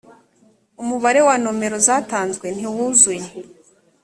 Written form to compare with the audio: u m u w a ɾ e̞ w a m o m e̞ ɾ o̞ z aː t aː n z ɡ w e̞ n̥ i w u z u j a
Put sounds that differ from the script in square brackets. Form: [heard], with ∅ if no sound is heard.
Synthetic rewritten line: u m u [β] a ɾ e̞ w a [n] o m e̞ ɾ o̞ z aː t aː n z ɡ w e̞ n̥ i w u z u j [e]